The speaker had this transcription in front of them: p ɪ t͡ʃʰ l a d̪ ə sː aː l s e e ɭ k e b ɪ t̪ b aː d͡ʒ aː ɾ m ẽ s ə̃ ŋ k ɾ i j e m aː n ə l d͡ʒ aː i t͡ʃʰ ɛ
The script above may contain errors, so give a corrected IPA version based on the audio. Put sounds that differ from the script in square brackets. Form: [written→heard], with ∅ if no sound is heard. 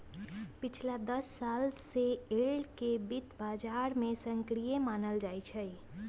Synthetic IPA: p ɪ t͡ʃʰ l a d̪ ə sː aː l s e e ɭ k e b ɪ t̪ b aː d͡ʒ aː ɾ m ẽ s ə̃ ŋ k ɾ i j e m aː n ə l d͡ʒ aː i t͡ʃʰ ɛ